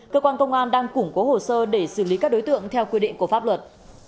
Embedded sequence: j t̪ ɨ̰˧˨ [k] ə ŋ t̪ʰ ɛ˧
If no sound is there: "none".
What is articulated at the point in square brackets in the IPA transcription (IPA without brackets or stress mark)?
none